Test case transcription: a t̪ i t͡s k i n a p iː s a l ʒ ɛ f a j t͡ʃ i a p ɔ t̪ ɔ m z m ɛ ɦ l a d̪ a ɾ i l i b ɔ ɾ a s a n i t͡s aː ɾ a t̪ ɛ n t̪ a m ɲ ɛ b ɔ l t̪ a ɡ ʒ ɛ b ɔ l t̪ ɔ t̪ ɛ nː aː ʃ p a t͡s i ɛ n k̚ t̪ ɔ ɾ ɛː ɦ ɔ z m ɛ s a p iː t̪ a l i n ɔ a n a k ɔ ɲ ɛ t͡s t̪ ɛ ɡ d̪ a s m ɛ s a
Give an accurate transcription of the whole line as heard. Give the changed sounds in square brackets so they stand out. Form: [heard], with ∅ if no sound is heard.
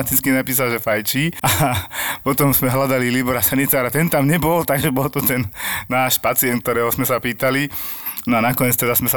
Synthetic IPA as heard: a t̪ i t͡s k i n a p iː s a l ʒ ɛ f a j t͡ʃ i a p ɔ t̪ ɔ m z m ɛ ɦ l a d̪ a [l] i l i b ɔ ɾ a s a n i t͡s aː ɾ a t̪ ɛ n t̪ a m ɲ ɛ b ɔ l t̪ a ɡ ʒ ɛ b ɔ l t̪ ɔ t̪ ɛ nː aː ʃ p a t͡s i ɛ n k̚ t̪ ɔ ɾ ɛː ɦ ɔ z m ɛ s a p iː t̪ a l i n ɔ a n a k ɔ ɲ ɛ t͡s t̪ ɛ [∅] d̪ a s m ɛ s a